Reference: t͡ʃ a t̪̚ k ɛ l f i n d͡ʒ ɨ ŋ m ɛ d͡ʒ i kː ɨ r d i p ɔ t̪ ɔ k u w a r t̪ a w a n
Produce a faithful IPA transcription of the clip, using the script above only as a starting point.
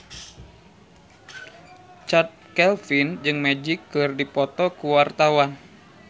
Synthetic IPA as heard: t͡ʃ a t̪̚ k ɛ l f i n d͡ʒ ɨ ŋ m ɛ d͡ʒ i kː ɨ r d i p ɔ t̪ ɔ k u w a r t̪ a w a n